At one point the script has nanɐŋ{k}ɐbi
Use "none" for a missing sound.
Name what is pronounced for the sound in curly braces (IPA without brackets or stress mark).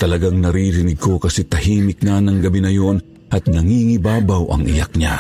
ɡ